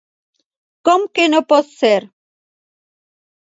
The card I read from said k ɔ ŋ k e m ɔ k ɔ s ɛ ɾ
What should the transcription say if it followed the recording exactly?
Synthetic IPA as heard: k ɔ m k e n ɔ p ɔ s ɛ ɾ